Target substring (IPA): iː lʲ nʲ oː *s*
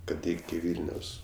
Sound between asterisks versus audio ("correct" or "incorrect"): correct